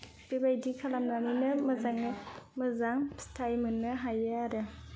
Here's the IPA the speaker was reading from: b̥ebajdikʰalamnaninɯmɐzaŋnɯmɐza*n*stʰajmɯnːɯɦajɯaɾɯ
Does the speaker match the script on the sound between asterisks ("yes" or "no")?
no